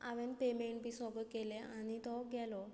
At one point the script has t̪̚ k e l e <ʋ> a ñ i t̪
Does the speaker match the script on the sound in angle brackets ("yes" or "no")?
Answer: no